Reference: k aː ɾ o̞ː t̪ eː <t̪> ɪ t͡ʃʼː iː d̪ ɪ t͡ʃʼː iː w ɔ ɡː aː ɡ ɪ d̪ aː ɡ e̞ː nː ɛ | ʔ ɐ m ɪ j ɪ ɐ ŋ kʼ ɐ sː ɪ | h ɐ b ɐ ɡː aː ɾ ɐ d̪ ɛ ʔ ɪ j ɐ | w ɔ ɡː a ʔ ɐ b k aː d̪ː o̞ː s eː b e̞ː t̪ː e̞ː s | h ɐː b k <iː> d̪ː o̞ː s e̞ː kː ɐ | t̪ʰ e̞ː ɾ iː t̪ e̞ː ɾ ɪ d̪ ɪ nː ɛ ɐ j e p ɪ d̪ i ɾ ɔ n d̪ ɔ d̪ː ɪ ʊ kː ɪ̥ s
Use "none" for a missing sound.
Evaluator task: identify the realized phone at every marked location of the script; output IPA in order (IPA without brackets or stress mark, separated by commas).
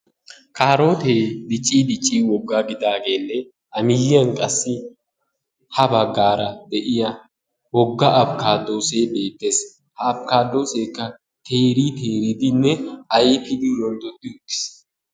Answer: d̪, aː